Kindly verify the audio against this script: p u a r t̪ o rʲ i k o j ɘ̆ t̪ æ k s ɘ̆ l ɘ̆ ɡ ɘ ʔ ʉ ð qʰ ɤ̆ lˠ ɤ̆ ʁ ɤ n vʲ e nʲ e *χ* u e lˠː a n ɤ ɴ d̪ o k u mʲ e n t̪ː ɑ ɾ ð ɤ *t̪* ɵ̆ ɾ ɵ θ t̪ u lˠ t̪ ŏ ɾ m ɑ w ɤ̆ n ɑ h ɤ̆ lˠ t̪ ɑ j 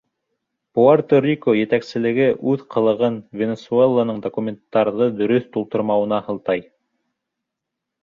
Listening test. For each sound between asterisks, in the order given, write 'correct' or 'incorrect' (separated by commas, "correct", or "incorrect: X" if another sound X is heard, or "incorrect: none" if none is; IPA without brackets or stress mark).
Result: incorrect: s, incorrect: d̪